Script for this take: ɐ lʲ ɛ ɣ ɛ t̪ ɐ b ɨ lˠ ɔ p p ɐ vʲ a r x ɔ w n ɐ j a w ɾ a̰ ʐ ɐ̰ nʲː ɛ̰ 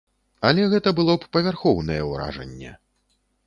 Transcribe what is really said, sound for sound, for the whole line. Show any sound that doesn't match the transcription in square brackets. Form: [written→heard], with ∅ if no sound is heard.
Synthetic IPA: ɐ lʲ ɛ ɣ ɛ t̪ ɐ b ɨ lˠ ɔ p p ɐ vʲ a r x ɔ w n ɐ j [a→ɛ] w ɾ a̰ ʐ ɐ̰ nʲː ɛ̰